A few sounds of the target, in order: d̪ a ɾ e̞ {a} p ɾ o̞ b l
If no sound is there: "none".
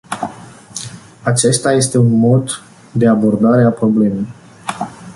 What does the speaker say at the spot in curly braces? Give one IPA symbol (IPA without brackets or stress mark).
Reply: a